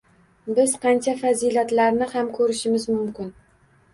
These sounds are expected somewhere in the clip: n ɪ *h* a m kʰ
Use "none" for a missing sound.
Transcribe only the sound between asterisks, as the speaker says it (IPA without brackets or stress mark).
h